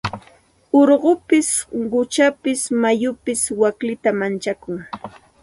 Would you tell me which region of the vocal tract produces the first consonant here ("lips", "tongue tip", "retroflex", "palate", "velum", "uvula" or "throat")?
tongue tip